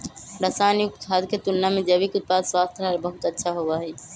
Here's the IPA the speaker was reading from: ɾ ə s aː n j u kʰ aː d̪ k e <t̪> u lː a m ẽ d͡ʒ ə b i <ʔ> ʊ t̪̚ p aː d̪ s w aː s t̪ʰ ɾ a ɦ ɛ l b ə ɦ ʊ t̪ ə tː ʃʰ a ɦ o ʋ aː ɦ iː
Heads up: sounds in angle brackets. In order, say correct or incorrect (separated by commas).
correct, incorrect